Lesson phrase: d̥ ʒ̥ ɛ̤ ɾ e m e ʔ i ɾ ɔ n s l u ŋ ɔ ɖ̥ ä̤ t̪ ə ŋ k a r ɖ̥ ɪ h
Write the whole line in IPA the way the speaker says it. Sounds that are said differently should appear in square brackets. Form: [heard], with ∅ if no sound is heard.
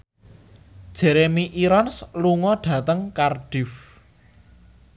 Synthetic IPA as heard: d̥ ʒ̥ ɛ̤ ɾ e m [i] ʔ i ɾ ɔ n s l u ŋ ɔ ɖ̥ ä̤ t̪ ə ŋ k a r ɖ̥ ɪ [f]